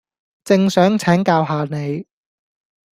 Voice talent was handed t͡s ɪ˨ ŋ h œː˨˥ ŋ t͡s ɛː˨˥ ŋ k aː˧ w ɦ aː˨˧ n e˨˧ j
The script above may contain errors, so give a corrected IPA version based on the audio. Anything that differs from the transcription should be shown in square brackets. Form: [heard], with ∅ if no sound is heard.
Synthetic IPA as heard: t͡s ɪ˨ ŋ [s] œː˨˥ ŋ [t͡sʰ] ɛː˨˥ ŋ k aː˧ w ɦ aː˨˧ n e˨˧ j